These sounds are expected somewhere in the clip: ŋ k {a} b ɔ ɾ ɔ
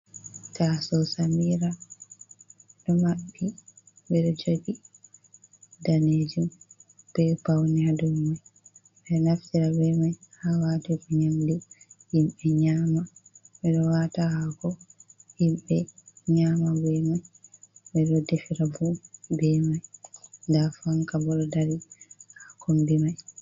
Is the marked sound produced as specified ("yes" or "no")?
yes